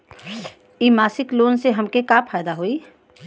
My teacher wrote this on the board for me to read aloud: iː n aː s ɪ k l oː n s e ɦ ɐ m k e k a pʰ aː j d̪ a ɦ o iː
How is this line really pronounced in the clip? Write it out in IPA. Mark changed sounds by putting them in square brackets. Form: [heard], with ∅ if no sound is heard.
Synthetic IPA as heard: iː [m] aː s ɪ k l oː n s e ɦ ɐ m k e k a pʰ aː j d̪ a ɦ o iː